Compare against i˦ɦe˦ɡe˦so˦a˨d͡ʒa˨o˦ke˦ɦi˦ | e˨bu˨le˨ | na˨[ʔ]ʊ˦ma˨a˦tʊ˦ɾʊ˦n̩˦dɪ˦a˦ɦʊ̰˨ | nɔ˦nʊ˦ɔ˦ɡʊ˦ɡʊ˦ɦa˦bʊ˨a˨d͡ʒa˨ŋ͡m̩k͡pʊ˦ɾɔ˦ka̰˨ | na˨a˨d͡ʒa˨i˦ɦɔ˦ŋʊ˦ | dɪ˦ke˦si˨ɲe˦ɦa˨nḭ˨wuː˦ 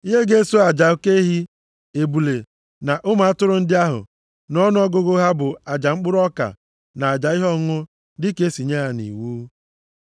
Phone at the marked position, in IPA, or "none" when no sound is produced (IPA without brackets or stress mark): ʔ